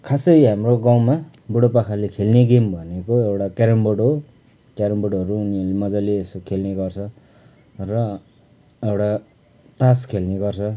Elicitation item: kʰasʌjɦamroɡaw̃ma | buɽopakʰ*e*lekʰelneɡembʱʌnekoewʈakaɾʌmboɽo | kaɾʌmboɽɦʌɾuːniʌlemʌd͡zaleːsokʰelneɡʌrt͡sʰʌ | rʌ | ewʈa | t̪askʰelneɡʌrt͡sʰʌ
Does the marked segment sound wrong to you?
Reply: yes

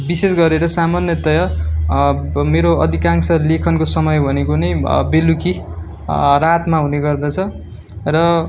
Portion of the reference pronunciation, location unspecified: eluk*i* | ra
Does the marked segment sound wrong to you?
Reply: no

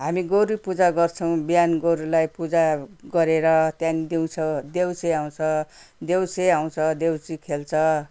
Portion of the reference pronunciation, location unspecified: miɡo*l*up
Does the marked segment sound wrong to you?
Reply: yes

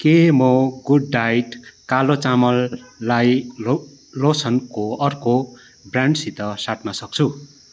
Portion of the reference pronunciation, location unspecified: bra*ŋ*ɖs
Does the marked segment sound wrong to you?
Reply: yes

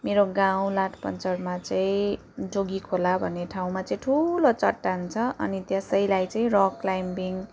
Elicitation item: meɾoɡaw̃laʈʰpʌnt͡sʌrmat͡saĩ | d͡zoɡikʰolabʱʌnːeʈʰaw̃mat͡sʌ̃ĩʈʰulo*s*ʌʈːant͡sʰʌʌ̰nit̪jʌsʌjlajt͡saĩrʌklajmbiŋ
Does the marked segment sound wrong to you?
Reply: yes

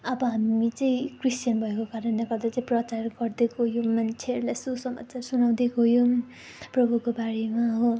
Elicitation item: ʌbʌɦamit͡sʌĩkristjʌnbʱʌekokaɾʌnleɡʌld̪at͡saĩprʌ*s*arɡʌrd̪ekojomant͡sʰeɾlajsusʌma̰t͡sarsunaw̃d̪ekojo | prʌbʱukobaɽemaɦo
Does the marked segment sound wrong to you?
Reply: yes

